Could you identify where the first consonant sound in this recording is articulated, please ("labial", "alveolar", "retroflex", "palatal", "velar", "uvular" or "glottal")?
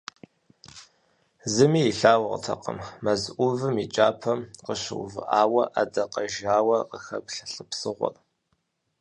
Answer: alveolar